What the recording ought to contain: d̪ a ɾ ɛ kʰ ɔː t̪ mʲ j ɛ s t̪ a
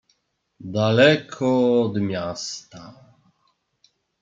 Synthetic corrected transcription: d̪ a l ɛ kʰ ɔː d̪ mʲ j a s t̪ a